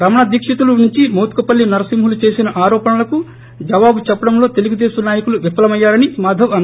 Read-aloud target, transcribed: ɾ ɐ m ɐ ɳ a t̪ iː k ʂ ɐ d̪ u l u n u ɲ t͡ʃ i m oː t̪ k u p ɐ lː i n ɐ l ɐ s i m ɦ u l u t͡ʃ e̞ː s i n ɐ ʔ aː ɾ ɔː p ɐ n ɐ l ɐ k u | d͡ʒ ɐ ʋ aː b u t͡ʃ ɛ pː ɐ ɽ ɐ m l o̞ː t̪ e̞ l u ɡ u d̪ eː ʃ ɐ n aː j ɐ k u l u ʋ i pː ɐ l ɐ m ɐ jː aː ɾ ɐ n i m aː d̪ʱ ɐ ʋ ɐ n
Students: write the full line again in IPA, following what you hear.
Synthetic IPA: ɾ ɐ m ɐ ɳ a d̪ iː k ʂ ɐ t̪ u l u n u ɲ t͡ʃ i m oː t̪ k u p ɐ lː i n ɐ ɾ ɐ s i m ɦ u l u t͡ʃ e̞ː s i n ɐ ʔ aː ɾ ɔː p ɐ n ɐ l ɐ k u | d͡ʒ ɐ ʋ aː b u t͡ʃ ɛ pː ɐ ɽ ɐ m l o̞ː t̪ e̞ l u ɡ u d̪ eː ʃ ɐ n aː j ɐ k u l u ʋ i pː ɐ l ɐ m ɐ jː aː ɾ ɐ n i m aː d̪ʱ ɐ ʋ ɐ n